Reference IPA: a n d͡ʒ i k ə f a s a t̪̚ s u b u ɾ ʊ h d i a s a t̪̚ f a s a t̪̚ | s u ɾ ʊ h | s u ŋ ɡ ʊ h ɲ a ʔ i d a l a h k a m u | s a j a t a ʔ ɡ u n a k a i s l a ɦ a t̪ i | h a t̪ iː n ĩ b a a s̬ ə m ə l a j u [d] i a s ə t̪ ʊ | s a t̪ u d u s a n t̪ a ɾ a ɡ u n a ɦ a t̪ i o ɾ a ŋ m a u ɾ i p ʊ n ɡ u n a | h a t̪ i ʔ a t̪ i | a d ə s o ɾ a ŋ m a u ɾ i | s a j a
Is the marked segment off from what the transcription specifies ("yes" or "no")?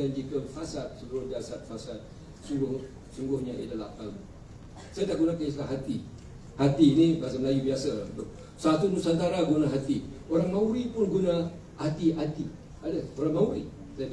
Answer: yes